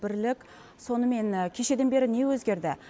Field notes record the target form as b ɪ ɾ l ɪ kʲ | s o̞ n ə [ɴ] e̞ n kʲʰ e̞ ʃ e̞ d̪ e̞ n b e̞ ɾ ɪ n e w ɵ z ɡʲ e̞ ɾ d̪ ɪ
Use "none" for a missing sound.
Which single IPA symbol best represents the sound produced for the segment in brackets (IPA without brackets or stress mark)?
m